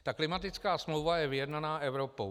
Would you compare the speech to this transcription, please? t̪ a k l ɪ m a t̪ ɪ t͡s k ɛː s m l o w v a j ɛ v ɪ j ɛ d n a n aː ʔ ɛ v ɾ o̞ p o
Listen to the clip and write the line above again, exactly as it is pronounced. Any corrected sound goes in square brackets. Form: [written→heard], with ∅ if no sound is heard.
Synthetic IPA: t̪ a k l ɪ m a t̪ ɪ t͡s k [ɛː→aː] s m l o w v a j ɛ v ɪ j ɛ d n a n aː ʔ ɛ v ɾ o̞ p o